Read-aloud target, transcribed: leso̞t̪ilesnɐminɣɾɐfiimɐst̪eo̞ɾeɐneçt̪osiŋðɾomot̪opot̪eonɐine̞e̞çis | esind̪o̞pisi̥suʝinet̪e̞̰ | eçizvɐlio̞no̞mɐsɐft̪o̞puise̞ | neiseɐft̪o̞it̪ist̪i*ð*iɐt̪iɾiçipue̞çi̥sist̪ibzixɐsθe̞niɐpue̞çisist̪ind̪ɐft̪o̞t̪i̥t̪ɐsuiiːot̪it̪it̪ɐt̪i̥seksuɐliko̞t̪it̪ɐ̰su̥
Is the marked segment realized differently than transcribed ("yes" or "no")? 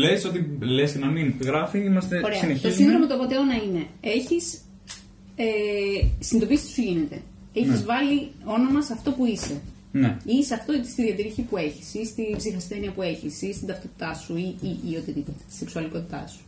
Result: no